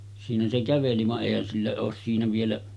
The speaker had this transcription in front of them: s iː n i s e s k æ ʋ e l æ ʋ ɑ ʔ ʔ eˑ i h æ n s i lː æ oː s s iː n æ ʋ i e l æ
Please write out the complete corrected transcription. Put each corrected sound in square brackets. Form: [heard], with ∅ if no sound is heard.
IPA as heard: s iː n [æ] s e [∅] k æ ʋ e l [i] ʋ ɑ ʔ ʔ eˑ i h æ n s i lː æ oː s s iː n æ ʋ i e l æ